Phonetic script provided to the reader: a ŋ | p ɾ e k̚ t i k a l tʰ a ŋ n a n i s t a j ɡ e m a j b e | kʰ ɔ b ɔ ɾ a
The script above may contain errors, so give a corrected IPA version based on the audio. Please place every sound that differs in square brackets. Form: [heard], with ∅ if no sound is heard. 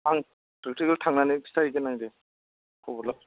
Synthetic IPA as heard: a ŋ | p ɾ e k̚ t i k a l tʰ a ŋ n a n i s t a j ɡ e [n] a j [d] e | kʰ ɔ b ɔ [l] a